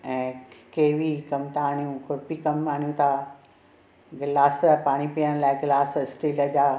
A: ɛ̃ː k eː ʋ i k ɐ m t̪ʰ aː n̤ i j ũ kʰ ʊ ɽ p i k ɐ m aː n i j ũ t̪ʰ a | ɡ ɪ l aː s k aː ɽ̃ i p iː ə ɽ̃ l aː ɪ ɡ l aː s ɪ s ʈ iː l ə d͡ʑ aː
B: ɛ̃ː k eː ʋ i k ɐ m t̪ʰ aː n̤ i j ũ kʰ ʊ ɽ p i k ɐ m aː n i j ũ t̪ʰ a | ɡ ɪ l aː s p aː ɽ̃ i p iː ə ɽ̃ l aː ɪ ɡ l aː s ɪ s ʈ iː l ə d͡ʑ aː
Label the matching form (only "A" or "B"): B